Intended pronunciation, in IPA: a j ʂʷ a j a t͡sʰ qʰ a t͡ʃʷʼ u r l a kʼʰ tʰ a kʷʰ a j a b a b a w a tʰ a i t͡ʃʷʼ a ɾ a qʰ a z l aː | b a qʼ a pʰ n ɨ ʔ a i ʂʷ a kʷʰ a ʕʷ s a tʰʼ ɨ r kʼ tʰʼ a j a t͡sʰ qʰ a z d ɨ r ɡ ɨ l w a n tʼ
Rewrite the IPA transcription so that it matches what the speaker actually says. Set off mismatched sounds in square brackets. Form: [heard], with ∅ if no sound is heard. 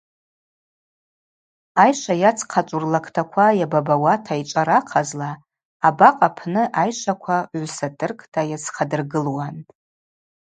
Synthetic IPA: a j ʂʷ a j a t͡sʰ qʰ a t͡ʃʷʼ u r l a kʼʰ tʰ a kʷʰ a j a b a b a w a tʰ a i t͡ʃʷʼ a ɾ a qʰ a z l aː | b a qʼ a pʰ n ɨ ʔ a [j] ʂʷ a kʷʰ a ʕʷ s a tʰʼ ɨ r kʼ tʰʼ a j a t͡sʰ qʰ a [∅] d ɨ r ɡ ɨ l w a n tʼ